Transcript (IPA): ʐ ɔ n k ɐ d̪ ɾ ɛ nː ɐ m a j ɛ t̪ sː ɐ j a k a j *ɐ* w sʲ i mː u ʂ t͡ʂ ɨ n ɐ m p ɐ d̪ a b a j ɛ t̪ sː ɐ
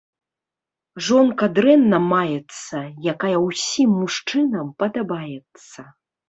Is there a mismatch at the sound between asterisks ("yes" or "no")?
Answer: no